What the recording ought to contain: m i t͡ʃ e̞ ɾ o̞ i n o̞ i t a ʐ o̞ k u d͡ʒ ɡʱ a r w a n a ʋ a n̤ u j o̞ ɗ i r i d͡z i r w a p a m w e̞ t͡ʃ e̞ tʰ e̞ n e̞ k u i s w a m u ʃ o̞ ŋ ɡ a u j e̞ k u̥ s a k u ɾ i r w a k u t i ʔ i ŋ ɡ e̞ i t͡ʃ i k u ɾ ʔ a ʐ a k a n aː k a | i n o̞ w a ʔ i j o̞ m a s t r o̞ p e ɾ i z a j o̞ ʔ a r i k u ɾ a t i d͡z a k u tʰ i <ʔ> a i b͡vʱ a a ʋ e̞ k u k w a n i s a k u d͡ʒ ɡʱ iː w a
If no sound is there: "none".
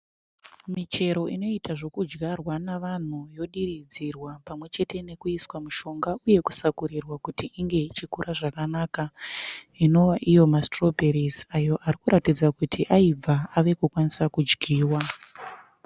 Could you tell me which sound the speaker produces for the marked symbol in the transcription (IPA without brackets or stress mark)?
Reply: ʔ